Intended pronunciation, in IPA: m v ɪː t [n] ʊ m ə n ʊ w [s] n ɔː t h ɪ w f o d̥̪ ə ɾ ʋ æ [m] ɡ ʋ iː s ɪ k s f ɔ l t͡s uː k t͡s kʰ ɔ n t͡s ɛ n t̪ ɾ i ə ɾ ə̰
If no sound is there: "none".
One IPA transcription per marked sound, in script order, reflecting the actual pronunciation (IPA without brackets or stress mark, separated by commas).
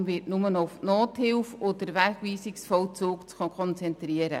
n, f, none